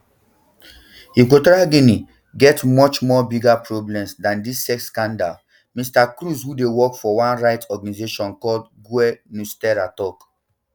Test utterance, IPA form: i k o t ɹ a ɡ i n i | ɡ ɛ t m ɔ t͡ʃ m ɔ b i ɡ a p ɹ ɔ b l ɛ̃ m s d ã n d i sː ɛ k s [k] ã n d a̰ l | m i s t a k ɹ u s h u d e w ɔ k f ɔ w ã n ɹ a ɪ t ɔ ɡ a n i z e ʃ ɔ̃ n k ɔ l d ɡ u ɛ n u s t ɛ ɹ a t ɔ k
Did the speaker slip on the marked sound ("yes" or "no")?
no